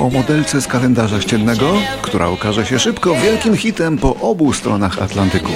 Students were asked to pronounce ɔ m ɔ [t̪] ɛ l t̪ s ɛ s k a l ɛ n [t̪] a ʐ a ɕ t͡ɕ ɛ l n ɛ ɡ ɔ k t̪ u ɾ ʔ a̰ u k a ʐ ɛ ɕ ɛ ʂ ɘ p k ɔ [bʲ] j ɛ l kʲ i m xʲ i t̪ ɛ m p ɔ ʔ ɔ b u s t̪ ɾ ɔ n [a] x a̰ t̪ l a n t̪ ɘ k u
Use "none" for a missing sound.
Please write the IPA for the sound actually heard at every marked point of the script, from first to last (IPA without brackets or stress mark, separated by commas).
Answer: d̪, d̪, vʲ, a